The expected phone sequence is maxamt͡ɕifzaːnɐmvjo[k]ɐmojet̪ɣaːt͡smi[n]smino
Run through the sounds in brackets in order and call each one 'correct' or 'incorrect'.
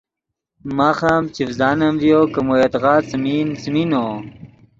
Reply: correct, correct

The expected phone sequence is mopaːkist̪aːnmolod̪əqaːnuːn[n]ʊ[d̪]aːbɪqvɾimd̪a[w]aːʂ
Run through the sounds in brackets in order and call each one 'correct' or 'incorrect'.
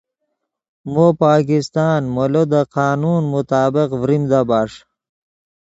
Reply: incorrect: m, incorrect: t̪, incorrect: b

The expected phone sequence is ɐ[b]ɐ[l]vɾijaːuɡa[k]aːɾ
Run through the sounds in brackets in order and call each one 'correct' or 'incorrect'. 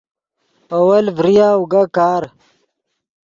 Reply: incorrect: w, correct, correct

